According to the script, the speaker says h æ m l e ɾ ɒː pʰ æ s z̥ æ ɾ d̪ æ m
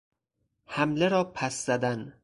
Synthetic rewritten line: h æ m l e ɾ ɒː pʰ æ s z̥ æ d̪ æ n